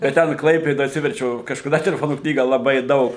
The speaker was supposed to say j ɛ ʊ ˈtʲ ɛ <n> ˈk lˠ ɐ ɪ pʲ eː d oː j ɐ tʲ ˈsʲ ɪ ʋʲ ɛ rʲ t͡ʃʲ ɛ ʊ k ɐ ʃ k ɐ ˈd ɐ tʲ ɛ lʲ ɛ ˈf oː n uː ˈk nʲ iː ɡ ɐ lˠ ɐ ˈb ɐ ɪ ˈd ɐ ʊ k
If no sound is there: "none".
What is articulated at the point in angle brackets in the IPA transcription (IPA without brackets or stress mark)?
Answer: n